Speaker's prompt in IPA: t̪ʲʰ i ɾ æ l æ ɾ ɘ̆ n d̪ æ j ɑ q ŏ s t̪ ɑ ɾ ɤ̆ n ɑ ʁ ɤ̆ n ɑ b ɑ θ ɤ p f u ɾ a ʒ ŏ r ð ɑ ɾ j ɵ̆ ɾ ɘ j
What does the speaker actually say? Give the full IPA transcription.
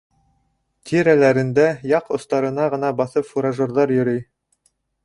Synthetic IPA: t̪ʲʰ i ɾ æ l æ ɾ ɘ̆ n d̪ æ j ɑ q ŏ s t̪ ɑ ɾ ɤ̆ n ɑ ʁ ɤ̆ n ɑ b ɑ θ ɤ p f u ɾ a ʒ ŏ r ð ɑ ɾ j ɵ̆ ɾ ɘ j